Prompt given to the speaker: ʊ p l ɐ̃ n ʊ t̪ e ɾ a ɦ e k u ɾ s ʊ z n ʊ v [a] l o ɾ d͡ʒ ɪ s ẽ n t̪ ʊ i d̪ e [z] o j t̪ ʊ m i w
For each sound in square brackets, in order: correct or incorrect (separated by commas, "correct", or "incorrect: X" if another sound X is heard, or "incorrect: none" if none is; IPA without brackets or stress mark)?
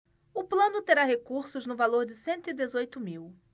correct, correct